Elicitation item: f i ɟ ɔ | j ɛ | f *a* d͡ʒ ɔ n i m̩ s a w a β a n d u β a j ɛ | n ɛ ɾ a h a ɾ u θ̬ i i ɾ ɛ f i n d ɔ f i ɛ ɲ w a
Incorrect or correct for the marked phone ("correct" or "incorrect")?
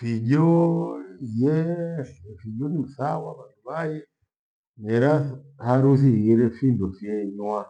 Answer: incorrect